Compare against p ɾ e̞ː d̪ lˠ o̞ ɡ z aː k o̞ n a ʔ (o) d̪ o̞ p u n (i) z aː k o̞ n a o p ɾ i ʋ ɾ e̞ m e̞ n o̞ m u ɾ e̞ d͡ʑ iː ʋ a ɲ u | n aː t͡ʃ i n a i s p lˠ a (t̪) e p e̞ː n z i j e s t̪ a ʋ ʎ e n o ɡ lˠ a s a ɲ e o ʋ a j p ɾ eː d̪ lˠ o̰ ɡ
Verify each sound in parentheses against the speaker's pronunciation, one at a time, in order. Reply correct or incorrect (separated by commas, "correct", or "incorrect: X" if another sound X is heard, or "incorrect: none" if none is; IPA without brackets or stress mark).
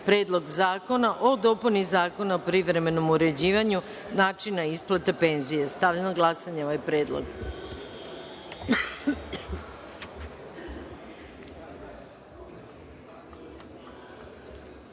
correct, correct, correct